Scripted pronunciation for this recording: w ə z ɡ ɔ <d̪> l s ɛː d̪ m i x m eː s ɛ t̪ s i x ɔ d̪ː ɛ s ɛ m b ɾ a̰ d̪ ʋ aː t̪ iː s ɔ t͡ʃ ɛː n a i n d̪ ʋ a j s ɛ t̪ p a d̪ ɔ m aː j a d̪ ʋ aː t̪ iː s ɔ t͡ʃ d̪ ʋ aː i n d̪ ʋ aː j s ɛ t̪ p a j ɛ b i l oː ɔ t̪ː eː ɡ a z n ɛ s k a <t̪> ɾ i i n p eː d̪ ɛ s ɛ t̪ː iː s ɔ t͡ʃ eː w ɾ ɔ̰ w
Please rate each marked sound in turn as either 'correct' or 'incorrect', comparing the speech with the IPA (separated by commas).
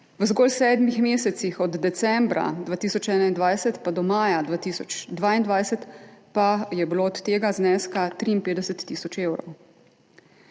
incorrect, correct